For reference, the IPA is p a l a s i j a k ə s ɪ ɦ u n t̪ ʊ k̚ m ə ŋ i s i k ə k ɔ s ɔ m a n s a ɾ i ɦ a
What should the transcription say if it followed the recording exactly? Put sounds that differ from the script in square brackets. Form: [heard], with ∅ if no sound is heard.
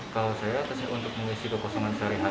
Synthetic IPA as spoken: [k] a l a s [a] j a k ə s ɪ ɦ u n t̪ ʊ k̚ m ə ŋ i s i k ə k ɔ s ɔ [ŋ] a n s a ɾ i ɦ a